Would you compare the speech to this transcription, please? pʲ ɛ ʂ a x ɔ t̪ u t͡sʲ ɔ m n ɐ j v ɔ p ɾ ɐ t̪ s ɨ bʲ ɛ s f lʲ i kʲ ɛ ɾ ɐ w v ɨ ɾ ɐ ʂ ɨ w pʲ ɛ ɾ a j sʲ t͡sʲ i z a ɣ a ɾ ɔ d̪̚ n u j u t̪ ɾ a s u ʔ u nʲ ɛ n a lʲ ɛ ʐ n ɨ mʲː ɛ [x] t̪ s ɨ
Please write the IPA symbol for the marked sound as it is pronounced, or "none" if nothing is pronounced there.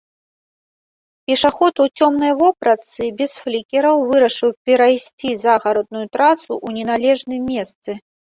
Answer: s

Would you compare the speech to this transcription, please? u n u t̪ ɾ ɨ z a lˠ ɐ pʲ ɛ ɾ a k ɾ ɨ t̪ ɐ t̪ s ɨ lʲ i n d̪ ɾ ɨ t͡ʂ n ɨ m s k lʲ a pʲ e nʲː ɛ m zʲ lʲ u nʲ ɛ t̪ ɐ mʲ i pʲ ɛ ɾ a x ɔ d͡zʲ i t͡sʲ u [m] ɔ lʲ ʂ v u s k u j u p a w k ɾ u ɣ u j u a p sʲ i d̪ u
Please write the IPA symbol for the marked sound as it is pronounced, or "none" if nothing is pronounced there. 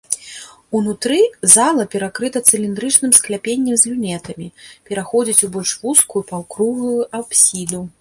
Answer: b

